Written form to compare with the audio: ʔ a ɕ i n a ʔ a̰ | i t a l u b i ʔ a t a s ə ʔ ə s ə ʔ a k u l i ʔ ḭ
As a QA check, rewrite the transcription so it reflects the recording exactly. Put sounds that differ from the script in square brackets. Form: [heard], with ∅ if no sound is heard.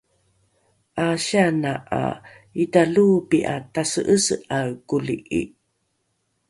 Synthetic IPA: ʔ a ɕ [a] n a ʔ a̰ | i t a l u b i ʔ a t a s ə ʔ ə s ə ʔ a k u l i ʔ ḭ

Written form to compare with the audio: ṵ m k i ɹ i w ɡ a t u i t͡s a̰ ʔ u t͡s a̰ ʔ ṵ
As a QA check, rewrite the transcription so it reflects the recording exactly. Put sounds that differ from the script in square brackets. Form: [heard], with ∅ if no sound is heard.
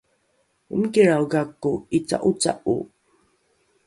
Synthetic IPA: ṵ m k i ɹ [a] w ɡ a [k] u i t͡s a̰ ʔ u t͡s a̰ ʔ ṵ

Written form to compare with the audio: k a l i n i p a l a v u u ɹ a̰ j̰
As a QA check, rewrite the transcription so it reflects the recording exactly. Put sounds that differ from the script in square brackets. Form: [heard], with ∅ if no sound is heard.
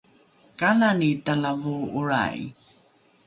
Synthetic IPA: k a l [a] n i [t] a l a v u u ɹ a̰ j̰

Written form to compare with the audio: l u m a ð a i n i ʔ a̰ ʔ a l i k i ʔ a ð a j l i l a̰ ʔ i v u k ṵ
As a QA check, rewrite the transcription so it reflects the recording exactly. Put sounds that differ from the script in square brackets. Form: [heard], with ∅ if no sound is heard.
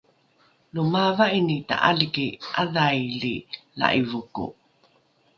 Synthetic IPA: l u m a [v] a i n i [t] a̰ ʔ a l i k i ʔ a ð a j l i l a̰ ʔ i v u k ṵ

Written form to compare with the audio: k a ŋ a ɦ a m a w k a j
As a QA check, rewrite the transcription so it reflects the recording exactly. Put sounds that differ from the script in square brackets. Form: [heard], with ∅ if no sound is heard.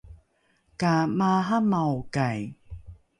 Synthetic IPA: k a [m] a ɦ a m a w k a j

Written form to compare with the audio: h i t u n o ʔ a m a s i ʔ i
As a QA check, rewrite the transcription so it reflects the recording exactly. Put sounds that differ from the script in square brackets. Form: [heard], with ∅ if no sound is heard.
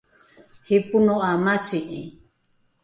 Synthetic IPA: h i [p] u n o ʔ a m a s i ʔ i

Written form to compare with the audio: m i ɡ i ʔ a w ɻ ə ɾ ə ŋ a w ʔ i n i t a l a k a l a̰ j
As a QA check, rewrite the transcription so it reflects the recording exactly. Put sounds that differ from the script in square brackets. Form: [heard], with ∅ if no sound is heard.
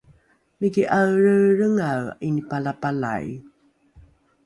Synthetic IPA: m i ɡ i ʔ a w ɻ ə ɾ ə ŋ a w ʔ i n i [p] a l a [p] a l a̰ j

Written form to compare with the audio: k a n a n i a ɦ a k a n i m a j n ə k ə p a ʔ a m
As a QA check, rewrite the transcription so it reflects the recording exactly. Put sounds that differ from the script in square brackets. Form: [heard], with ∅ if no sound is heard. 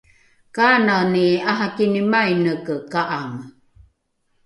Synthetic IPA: k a n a n i a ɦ a k [i] n i m a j n ə k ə [k] a ʔ a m

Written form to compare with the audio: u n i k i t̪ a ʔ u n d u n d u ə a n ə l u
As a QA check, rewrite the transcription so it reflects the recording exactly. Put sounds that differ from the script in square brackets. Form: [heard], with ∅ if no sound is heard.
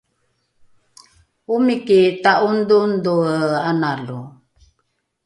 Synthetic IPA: u [m] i k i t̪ a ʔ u n d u n d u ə a n [a] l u

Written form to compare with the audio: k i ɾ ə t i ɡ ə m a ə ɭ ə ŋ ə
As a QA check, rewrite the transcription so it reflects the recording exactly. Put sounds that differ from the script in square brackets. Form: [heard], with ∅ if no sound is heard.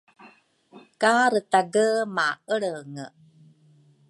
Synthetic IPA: k [a] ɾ ə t [a] ɡ ə m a ə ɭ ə ŋ ə

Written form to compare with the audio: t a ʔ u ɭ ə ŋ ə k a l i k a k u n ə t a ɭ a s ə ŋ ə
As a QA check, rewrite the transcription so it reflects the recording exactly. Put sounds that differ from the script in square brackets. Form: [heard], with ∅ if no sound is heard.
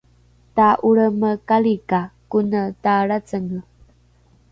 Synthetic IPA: t a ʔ u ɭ ə [m] ə k a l i k a k u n ə t a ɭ a [t͡s] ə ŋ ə

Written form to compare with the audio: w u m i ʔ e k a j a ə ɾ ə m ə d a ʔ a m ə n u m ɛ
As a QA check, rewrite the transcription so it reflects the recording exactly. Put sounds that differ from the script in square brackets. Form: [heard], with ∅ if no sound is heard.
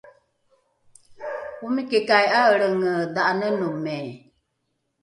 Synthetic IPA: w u m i [k] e k a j a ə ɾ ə [ŋ] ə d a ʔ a [n] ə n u m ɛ

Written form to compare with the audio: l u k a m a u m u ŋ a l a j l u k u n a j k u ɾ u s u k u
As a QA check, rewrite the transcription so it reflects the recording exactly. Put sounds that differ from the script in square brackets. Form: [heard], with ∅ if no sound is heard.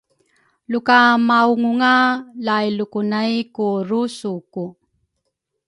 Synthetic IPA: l u k a m a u [ŋ] u ŋ a l a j l u k u n a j k u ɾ u s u k u

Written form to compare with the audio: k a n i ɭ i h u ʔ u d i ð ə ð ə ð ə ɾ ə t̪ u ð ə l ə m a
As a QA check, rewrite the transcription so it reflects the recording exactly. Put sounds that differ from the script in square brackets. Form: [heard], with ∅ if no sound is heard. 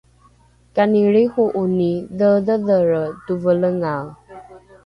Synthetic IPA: k a n i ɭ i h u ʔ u [n] i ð ə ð ə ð ə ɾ ə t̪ u [v] ə l ə [ŋ] a

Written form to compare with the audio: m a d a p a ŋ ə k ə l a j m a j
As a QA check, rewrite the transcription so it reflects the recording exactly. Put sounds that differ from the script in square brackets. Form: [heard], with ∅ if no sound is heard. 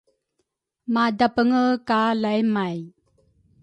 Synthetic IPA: m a d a p [ə] ŋ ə k [a] l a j m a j

